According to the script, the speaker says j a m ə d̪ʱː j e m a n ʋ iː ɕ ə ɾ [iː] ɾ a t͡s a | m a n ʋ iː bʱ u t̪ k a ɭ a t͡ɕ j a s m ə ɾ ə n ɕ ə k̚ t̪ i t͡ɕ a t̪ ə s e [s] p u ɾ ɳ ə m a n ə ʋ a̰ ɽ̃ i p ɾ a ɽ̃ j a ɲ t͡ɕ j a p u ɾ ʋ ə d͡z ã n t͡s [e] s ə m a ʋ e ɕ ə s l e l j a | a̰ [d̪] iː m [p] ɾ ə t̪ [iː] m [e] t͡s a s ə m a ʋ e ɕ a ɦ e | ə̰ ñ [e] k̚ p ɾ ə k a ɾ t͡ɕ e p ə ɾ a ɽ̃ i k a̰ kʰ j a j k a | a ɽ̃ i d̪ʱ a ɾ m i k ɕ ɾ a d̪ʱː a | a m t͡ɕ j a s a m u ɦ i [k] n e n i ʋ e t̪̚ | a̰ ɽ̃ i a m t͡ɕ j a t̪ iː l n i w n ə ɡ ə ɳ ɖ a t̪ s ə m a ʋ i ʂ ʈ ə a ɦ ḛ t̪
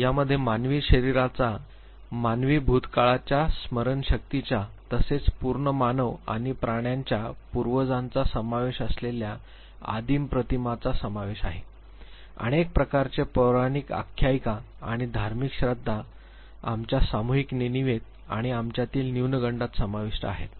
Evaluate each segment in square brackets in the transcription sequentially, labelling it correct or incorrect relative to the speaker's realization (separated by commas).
incorrect, incorrect, incorrect, correct, correct, incorrect, incorrect, correct, correct